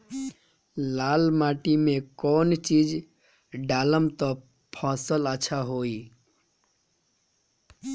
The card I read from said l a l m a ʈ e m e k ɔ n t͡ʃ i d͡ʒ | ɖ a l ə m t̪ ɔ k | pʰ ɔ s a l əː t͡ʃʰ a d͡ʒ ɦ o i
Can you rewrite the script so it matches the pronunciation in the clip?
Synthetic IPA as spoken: l a l m a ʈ i m e k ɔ n t͡ʃ i d͡ʒ | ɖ a l ə m t̪ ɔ | pʰ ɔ s ə l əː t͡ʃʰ a ɦ o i